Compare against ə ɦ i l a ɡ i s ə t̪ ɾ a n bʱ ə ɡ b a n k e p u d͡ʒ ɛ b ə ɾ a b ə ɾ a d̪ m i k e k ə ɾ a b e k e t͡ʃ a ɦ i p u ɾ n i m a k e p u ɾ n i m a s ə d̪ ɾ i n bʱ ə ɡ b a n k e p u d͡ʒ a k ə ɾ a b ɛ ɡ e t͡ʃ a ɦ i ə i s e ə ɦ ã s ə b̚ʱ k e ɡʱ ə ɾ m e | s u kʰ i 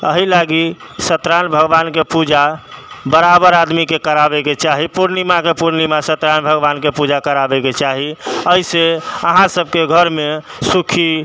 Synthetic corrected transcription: ə ɦ i l a ɡ i s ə t̪ ɾ a n bʱ ə ɡ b a n k e p u d͡ʒ a b ə ɾ a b ə ɾ a d̪ m i k e k ə ɾ a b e k e t͡ʃ a ɦ i p u ɾ n i m a k e p u ɾ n i m a s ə t̪ ɾ a n bʱ ə ɡ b a n k e p u d͡ʒ a k ə ɾ a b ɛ k e t͡ʃ a ɦ i ə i s e ə ɦ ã s ə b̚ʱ k e ɡʱ ə ɾ m e | s u kʰ i